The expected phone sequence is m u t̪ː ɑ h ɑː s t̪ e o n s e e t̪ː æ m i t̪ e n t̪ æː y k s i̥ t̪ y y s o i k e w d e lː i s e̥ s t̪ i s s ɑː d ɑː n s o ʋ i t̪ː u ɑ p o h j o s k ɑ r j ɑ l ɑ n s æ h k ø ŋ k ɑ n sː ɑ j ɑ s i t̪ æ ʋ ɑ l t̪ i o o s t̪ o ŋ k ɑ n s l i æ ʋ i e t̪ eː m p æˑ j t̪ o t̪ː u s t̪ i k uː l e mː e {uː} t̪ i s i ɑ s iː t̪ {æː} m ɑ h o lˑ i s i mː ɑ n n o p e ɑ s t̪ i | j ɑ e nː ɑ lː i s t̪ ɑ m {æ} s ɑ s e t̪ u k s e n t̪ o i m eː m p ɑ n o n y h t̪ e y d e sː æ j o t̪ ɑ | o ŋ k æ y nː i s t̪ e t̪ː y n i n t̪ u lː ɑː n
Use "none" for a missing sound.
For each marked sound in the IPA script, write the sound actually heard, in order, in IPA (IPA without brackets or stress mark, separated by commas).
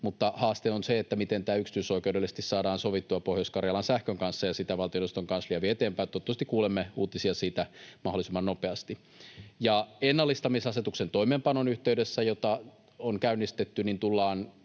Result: uː, æ, i